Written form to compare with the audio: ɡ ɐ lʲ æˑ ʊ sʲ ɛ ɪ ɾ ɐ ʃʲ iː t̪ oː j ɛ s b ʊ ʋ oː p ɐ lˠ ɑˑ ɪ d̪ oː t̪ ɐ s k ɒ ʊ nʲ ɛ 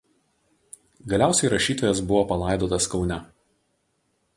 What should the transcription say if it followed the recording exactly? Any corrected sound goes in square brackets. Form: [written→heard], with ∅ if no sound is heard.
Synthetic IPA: ɡ ɐ lʲ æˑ ʊ sʲ ɛ ɪ ɾ ɐ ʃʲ iː t̪ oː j ɛ s b ʊ ʋ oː p ɐ lˠ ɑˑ ɪ d̪ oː t̪ ɐ s k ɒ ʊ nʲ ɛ

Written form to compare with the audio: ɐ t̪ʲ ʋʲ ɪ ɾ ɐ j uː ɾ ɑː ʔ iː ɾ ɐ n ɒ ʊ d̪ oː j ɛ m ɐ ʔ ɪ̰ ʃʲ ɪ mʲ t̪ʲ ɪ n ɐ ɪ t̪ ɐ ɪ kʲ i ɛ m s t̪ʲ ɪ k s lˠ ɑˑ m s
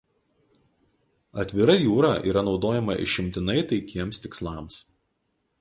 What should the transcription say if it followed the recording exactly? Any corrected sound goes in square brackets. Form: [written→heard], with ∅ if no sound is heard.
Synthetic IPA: ɐ t̪ʲ ʋʲ ɪ ɾ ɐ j uː ɾ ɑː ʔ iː ɾ ɐ n ɒ ʊ d̪ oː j ɛ m ɐ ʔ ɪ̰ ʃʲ ɪ mʲ t̪ʲ ɪ n ɐ ɪ t̪ ɐ ɪ kʲ i ɛ m s t̪ʲ ɪ k s lˠ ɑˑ m s

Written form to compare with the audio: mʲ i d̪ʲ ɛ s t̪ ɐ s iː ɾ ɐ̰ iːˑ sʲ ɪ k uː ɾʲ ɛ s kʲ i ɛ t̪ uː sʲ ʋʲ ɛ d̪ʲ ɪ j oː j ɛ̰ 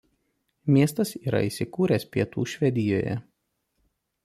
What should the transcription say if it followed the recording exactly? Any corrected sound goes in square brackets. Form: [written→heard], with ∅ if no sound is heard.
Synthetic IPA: mʲ i [d̪ʲ→∅] ɛ s t̪ ɐ s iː ɾ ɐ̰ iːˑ sʲ ɪ k uː ɾʲ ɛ s [kʲ→pʲ] i ɛ t̪ uː [sʲ→ʃʲ] ʋʲ ɛ d̪ʲ ɪ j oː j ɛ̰

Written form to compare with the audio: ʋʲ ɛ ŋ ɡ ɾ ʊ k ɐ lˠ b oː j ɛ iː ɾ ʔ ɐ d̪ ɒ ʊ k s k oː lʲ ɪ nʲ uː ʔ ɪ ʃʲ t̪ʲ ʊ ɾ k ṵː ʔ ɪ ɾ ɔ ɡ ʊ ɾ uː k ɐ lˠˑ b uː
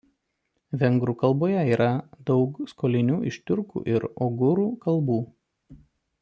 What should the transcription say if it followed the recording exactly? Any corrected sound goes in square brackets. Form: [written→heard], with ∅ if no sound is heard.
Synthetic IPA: ʋʲ ɛ ŋ ɡ ɾ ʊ k ɐ lˠ b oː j ɛ iː ɾ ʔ ɐ d̪ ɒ ʊ k s k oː lʲ ɪ nʲ uː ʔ ɪ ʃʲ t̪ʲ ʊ ɾ k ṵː ʔ ɪ ɾ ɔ ɡ ʊ ɾ uː k ɐ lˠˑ b uː

